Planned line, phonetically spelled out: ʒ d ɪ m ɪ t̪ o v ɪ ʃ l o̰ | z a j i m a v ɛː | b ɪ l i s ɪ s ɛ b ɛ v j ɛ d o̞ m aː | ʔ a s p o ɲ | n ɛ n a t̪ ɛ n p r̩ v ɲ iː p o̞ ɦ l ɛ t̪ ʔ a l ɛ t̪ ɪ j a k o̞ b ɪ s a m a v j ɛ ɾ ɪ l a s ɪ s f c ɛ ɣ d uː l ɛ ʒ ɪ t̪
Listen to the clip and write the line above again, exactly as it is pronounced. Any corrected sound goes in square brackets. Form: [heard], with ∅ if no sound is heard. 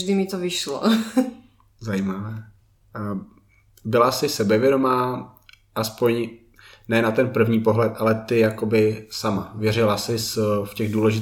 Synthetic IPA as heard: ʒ d ɪ m ɪ t̪ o v ɪ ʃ l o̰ | z a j i m a v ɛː | b ɪ l [a] s ɪ s ɛ b ɛ v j ɛ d o̞ m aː | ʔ a s p o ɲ | n ɛ n a t̪ ɛ n p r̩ v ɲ iː p o̞ ɦ l ɛ t̪ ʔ a l ɛ t̪ ɪ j a k o̞ b ɪ s a m a v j ɛ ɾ ɪ l a s ɪ s f c ɛ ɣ d uː l ɛ ʒ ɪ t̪